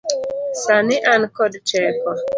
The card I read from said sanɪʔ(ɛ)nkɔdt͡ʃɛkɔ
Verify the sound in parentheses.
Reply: incorrect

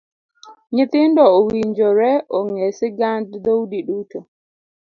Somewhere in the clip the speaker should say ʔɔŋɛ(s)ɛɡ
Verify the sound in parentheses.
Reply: correct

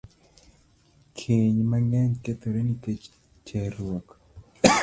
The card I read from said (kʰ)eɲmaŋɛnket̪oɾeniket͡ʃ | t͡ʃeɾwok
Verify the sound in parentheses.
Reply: correct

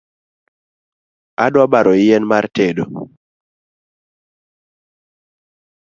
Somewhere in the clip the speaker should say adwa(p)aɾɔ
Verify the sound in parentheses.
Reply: incorrect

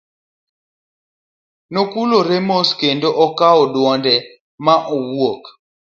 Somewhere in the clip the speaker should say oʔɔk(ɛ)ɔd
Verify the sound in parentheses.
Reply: incorrect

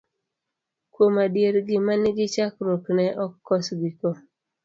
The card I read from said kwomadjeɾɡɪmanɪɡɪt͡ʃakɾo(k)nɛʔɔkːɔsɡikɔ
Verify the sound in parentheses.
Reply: correct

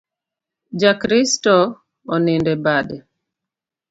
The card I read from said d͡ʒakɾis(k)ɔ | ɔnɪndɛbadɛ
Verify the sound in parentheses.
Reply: incorrect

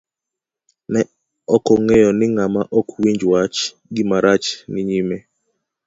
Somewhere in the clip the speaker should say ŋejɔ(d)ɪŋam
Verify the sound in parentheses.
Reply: incorrect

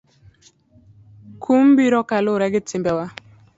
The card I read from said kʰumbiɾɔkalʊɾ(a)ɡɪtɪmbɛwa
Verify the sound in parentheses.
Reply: incorrect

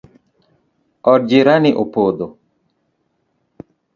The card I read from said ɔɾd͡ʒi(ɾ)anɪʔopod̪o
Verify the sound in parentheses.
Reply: correct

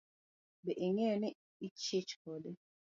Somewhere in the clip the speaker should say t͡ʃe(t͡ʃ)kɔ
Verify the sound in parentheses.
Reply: correct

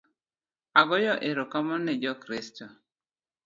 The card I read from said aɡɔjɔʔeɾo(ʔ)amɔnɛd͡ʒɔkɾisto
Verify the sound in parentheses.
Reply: incorrect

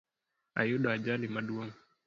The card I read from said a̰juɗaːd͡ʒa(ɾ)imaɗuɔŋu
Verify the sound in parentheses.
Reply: incorrect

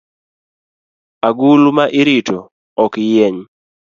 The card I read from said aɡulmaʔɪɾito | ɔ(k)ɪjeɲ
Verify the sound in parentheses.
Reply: correct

